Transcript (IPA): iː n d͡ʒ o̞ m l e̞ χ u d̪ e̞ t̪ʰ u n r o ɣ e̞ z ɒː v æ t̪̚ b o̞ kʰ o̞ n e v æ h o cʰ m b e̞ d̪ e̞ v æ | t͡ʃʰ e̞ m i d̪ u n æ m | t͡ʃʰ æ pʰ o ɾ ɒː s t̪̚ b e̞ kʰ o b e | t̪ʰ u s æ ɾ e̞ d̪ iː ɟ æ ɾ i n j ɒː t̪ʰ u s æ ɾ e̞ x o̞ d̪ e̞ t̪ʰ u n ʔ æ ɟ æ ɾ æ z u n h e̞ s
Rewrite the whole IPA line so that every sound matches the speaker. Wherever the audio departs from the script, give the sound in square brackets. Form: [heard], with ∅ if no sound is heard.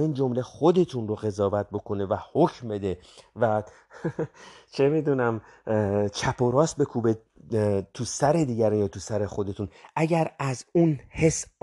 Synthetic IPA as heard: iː n d͡ʒ o̞ m l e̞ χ [o] d̪ e̞ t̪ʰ u n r o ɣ e̞ z ɒː v æ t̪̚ b o̞ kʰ o̞ n e v æ h o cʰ m b e̞ d̪ e̞ v æ | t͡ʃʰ e̞ m i d̪ u n æ m | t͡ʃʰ æ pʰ o ɾ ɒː s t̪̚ b e̞ kʰ [u] b e | t̪ʰ u s æ ɾ e̞ d̪ iː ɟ æ ɾ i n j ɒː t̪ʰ u s æ ɾ e̞ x o̞ d̪ e̞ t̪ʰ u n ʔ æ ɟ æ ɾ æ z u n h e̞ s